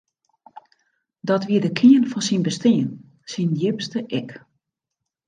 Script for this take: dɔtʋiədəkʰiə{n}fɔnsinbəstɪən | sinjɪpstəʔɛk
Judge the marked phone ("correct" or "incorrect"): correct